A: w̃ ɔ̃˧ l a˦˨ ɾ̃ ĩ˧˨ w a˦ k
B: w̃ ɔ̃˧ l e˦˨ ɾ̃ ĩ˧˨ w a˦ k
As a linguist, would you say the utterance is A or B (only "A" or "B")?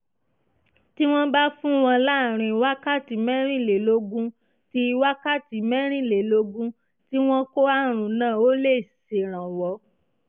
A